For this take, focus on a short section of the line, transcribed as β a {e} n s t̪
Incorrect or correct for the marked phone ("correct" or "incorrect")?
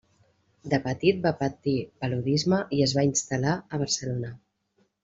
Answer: incorrect